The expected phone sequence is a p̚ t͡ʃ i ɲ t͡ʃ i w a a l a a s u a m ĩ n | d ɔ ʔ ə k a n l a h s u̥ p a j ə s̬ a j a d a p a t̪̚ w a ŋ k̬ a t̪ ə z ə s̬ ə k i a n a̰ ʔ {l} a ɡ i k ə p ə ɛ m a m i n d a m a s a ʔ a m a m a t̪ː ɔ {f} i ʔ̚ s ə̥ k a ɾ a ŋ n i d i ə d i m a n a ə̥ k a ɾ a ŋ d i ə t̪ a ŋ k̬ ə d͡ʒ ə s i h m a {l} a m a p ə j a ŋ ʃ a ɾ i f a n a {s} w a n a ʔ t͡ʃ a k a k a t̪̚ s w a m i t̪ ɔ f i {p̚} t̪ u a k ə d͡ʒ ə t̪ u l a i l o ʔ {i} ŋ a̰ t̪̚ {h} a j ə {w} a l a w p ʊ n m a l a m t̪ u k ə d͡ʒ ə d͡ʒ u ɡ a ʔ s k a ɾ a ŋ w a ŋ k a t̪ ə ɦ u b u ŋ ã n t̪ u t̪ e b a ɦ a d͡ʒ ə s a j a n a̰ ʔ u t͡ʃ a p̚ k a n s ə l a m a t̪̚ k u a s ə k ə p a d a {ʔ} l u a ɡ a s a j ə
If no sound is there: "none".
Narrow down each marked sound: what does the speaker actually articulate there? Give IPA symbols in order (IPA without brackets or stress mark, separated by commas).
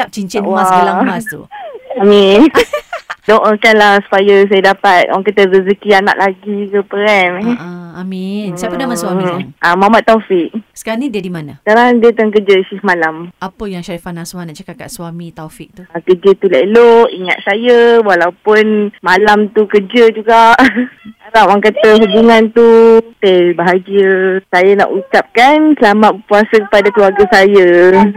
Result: l, f, l, s, k̚, i, s, w, k